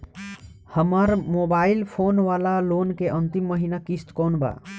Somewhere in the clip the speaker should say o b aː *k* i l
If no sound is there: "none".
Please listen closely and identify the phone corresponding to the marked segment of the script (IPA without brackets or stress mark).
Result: none